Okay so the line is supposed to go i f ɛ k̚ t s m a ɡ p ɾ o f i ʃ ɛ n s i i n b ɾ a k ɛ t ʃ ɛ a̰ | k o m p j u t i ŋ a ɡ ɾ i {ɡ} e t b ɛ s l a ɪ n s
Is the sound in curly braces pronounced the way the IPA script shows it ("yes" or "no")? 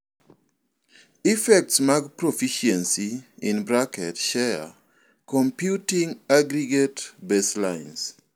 yes